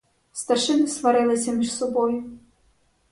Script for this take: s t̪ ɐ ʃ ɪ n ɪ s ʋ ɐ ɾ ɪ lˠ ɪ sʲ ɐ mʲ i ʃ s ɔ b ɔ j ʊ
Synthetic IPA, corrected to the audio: s t̪ ɐ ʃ ɪ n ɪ s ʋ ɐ ɾ ɪ lˠ ɪ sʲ ɐ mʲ i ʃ s ɔ b ɔ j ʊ